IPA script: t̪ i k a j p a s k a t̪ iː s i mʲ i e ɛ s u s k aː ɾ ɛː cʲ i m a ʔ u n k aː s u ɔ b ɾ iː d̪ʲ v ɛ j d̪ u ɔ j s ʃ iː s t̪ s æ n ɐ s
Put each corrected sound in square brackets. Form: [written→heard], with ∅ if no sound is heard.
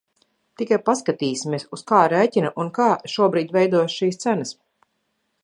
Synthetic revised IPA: t̪ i k a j p a s k a t̪ iː s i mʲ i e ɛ s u s k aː ɾ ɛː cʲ i [m→n] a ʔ u n k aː [s→ʃ] u ɔ b ɾ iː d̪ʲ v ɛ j d̪ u ɔ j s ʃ iː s t̪ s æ n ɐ s

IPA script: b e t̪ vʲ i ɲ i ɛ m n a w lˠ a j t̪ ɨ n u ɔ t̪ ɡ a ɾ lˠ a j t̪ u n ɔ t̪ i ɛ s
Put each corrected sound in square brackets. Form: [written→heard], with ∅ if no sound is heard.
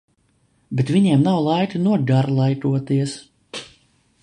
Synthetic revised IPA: b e t̪ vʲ i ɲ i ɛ m n a w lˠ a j t̪ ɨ n u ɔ [t̪→∅] ɡ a ɾ lˠ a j t̪ u [n→∅] ɔ t̪ i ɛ s

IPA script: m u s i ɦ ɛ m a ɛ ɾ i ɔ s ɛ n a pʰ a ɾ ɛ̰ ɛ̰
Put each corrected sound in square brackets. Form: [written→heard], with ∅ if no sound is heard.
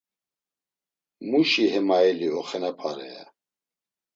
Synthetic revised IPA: m u [s→ʃ] i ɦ ɛ m a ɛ [ɾ→l] i ɔ [s→χ] ɛ n a pʰ a ɾ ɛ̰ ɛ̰

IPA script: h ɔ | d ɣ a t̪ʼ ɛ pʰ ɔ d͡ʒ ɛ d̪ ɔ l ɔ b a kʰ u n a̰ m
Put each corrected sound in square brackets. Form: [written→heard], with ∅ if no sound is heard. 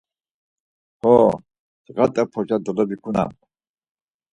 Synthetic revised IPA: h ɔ | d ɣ a t̪ʼ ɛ pʰ ɔ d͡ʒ [ɛ→a] d̪ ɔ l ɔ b [a→i] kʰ u n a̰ m

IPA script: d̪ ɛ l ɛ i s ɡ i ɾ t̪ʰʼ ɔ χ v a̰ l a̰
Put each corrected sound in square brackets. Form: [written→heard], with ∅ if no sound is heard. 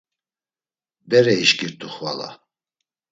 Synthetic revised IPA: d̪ ɛ [l→ɾ] ɛ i [s→ʃ] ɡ i ɾ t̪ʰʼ [ɔ→u] χ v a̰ l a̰

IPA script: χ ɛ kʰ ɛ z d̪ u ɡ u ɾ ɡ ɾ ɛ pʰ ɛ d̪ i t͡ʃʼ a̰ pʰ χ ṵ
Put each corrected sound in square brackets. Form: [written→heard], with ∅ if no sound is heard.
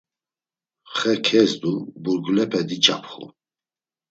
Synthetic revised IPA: χ ɛ kʰ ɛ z d̪ u [ɡ→b] u ɾ ɡ [ɾ→l] ɛ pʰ ɛ d̪ i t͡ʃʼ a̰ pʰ χ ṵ

